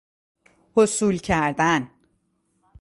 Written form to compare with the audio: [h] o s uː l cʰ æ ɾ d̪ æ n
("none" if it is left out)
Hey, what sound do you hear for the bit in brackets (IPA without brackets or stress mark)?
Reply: h